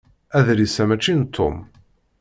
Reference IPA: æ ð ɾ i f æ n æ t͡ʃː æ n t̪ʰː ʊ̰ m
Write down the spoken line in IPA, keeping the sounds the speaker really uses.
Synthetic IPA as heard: æ ð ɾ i s æ m æ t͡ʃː i n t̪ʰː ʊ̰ m